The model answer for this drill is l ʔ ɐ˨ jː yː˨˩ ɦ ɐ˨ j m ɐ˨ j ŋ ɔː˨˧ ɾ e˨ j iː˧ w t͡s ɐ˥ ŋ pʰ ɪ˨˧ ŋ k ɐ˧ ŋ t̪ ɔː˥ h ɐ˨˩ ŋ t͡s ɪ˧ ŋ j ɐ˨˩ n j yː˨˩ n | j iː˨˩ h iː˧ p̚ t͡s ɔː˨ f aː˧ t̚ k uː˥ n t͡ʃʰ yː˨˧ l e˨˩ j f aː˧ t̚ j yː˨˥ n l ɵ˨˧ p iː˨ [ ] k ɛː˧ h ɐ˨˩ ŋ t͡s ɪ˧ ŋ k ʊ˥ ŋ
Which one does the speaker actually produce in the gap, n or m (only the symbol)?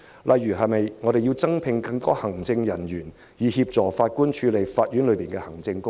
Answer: n